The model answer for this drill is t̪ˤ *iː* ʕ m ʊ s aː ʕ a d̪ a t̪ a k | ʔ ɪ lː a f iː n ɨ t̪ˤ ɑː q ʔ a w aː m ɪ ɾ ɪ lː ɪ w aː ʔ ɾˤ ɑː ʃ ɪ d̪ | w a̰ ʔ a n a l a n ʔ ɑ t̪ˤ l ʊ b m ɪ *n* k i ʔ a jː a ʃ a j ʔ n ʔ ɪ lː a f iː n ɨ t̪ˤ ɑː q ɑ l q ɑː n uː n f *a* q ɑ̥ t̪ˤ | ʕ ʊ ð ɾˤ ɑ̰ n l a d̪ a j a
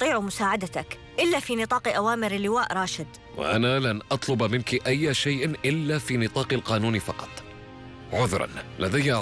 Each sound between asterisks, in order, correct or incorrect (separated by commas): correct, correct, incorrect